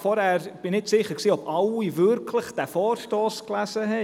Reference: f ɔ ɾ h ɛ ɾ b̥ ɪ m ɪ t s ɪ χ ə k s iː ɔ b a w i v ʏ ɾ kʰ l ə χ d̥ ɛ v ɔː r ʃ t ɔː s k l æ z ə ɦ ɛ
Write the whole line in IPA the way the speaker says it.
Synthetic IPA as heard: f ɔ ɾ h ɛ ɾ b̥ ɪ n ɪ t s ɪ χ ə k s iː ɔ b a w i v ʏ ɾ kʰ l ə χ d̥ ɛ f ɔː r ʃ t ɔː s k l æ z ə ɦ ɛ